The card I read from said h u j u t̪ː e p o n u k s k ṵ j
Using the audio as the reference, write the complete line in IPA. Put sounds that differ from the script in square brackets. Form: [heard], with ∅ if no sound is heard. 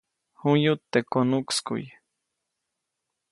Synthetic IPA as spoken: h u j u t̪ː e [k] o n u k s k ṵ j